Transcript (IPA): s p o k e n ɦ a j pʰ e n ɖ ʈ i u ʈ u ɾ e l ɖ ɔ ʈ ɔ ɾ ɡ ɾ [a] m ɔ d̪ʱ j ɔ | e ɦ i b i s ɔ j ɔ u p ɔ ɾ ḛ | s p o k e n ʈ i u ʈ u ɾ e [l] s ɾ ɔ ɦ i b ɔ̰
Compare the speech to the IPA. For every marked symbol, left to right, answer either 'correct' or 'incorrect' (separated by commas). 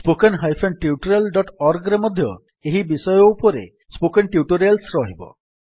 incorrect, correct